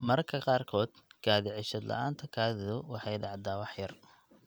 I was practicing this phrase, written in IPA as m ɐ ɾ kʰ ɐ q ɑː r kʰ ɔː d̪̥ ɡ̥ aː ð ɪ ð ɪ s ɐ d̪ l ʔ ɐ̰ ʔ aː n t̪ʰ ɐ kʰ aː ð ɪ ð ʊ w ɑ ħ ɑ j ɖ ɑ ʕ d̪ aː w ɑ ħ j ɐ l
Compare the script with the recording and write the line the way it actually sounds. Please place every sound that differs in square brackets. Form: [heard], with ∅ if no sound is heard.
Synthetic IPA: m ɐ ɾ kʰ ɐ q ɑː r kʰ ɔː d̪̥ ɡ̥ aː ð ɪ [ʕ] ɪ [ʃ] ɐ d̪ l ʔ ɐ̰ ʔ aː n t̪ʰ ɐ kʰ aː ð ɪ ð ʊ w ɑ ħ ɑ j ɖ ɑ ʕ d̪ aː w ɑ ħ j ɐ [r]